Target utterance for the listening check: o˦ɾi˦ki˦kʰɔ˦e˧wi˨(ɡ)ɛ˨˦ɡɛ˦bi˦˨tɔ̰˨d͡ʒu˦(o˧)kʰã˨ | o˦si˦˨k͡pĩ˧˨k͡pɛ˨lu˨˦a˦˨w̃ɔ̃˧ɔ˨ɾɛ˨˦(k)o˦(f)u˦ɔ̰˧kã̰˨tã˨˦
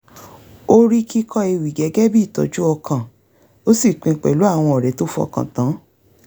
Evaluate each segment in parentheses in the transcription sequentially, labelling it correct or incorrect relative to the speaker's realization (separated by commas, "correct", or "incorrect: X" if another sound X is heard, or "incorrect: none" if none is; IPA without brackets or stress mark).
correct, incorrect: ɔ˧, incorrect: t, correct